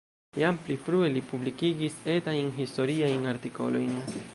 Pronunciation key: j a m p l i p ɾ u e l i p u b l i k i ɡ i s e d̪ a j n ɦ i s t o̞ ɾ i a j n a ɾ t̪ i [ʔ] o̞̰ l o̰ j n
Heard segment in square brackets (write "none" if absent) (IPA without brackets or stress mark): k